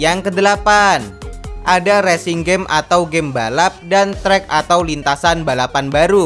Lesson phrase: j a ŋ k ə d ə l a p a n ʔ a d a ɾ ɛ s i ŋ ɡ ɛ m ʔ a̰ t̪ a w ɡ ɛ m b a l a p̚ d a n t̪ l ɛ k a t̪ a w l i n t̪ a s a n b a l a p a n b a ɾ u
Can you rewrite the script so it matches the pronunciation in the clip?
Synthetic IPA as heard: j a ŋ k ə d ə l a p a n ʔ a d a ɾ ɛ s i ŋ ɡ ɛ m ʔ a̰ t̪ a w ɡ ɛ m b a l a p̚ d a n t̪ ɾ ɛ k a t̪ a w l i n t̪ a s a n b a l a p a n b a ɾ u